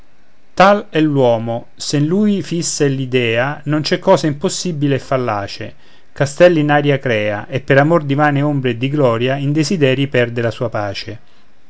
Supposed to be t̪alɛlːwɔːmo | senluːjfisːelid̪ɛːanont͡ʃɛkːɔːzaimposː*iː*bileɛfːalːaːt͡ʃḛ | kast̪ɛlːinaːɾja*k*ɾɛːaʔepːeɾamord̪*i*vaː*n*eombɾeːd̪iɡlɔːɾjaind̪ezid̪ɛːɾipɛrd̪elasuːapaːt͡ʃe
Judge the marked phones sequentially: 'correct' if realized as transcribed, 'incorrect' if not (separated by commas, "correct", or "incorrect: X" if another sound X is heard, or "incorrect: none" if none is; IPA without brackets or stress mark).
incorrect: i, correct, correct, correct